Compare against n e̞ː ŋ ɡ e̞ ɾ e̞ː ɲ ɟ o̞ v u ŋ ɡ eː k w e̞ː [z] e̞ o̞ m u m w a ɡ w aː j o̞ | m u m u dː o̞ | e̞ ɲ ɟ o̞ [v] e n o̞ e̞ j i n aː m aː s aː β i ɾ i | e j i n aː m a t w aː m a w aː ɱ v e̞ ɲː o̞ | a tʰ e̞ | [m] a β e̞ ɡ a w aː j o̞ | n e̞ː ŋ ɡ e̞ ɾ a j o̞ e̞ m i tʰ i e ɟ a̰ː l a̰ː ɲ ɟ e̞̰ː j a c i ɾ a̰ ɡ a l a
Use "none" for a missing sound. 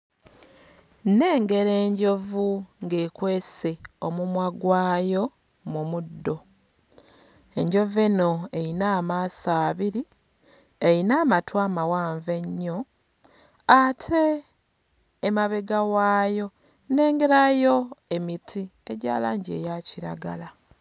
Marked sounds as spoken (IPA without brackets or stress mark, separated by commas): s, v, m